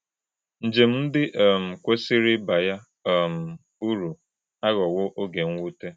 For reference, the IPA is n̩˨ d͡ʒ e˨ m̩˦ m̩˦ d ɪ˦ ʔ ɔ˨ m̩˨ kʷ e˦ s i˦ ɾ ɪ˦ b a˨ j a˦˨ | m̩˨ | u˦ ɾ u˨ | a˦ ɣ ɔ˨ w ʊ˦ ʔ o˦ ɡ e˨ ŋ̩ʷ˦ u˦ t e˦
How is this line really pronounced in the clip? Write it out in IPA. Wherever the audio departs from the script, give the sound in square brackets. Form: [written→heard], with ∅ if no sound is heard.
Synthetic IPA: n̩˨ d͡ʒ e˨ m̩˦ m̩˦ d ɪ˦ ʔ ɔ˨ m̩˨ kʷ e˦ s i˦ ɾ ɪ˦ b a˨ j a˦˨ | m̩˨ | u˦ ɾ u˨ | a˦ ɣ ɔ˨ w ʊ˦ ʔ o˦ ɡ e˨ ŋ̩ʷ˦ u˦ t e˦

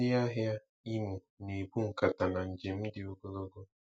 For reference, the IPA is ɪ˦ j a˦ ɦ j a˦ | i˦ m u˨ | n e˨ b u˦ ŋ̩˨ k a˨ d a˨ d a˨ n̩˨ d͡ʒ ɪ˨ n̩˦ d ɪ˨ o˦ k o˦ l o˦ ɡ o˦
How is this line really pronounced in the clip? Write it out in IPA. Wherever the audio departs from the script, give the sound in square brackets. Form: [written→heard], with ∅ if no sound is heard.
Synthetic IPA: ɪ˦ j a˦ ɦ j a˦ | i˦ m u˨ | n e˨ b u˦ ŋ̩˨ k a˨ [d→t] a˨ [d→n] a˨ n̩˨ d͡ʒ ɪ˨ [n̩˦→m̩˦] d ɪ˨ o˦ [k→ɡ] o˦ l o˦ ɡ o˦

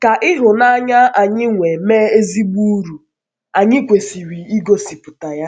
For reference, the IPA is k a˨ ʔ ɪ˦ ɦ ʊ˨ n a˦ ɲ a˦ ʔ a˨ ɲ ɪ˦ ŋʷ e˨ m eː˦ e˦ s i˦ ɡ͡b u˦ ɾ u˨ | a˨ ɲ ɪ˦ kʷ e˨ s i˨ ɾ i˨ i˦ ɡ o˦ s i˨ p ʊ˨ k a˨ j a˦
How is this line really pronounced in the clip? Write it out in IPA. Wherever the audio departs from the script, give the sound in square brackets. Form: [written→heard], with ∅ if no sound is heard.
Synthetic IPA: k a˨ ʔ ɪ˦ ɦ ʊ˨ n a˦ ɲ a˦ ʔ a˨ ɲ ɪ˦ ŋʷ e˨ m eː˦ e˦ [s→z] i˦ ɡ͡b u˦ ɾ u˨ | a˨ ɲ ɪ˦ kʷ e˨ s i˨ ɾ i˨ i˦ ɡ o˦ s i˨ p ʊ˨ [k→t] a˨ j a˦

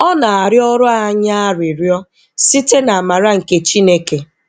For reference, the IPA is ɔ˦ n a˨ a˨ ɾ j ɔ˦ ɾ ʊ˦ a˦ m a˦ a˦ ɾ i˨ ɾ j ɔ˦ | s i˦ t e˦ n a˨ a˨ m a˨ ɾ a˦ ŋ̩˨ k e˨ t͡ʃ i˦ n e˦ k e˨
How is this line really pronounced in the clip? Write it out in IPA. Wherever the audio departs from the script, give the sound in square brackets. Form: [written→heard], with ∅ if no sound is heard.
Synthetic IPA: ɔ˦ n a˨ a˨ ɾ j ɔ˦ ɾ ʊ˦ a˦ [m→ɲ] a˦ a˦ ɾ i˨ ɾ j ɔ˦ | s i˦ t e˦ n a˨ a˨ m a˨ ɾ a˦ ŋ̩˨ k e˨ t͡ʃ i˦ n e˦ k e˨

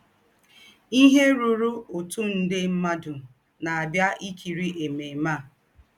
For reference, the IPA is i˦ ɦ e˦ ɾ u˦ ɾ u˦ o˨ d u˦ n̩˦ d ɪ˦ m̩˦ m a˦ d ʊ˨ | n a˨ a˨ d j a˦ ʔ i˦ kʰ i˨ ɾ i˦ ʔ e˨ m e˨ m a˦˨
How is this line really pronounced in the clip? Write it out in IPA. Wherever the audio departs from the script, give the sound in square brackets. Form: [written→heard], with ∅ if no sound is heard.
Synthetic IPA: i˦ ɦ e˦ ɾ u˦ ɾ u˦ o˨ [d→t] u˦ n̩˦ d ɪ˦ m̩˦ m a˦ d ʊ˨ | n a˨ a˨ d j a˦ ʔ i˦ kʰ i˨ ɾ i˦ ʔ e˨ m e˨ m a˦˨

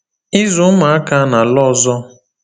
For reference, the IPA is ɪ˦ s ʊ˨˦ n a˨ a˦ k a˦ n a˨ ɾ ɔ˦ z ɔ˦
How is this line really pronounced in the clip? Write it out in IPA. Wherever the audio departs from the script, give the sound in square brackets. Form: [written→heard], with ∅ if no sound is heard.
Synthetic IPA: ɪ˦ [s→z] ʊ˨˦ [n→m] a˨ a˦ k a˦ n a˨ [ɾ→l] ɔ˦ z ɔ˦

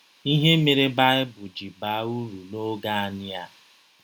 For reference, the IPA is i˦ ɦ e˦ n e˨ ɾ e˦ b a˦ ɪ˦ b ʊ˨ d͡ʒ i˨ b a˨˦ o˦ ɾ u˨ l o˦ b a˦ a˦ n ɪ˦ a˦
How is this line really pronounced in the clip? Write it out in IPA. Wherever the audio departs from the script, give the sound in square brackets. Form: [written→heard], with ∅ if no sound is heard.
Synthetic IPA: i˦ ɦ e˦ [n→m] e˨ ɾ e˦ b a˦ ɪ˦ b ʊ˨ d͡ʒ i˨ b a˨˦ [o˦→u˦] ɾ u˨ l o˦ [b→ɡ] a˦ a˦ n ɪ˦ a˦

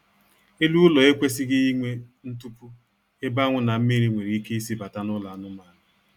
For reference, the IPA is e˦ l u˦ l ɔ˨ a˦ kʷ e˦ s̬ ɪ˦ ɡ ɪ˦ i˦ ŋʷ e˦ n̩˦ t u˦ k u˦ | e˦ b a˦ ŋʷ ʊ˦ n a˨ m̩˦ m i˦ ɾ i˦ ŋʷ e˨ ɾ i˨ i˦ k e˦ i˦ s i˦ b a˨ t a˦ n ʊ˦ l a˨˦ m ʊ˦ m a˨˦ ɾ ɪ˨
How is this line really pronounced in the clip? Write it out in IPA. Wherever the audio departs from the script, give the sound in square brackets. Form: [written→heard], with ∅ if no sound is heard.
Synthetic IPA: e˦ l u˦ l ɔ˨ [a˦→e˦] kʷ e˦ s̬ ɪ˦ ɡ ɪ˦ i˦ ŋʷ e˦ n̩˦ t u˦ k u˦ | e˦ b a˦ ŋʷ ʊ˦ n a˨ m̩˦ m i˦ ɾ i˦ ŋʷ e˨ ɾ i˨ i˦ k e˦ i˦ s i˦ b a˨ t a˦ n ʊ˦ l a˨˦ [m→n] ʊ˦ m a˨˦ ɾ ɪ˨

